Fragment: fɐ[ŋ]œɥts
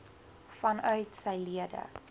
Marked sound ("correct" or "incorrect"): incorrect